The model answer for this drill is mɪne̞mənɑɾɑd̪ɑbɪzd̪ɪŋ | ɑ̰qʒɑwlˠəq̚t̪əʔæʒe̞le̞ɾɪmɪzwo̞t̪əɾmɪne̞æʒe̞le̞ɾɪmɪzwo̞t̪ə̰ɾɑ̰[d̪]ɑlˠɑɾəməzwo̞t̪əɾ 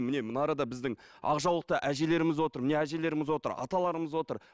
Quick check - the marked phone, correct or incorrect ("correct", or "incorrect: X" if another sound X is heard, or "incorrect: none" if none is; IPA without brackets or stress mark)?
incorrect: t̪